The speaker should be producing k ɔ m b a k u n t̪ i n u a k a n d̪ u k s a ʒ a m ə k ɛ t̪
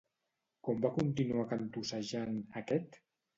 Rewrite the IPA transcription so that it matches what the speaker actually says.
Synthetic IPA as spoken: k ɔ m b a k u n t̪ i n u a k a n t̪ u s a ʒ a n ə k ɛ t̪